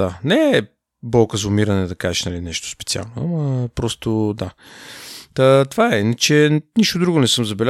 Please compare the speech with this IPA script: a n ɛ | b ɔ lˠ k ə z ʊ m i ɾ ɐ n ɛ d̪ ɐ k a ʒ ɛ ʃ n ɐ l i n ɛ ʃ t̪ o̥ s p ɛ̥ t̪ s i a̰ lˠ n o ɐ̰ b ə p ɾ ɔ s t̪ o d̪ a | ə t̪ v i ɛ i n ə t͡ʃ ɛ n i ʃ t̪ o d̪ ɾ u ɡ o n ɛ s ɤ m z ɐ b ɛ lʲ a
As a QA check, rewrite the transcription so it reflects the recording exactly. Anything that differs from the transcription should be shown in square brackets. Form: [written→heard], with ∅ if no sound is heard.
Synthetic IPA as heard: a n ɛ | b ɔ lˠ k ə z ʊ m i ɾ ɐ n ɛ d̪ ɐ k a ʒ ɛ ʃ n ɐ l i n ɛ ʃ t̪ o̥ s p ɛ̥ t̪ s i a̰ lˠ n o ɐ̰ [b→m] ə p ɾ ɔ s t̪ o d̪ a | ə t̪ v [i→a] ɛ i n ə t͡ʃ ɛ n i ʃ t̪ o d̪ ɾ u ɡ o n ɛ s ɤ m z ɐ b ɛ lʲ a